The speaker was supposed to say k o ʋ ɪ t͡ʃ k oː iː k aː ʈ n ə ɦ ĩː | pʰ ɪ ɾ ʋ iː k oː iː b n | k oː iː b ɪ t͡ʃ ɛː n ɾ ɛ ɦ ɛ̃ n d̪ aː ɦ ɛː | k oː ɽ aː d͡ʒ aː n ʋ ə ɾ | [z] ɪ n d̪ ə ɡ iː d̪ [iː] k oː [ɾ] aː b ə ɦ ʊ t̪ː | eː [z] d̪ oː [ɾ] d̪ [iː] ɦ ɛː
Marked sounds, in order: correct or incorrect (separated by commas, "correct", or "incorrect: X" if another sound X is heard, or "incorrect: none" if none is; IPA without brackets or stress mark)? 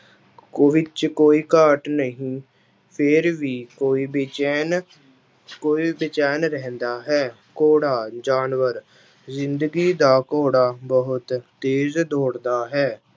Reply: correct, incorrect: aː, incorrect: ɽ, correct, incorrect: ɽ, incorrect: aː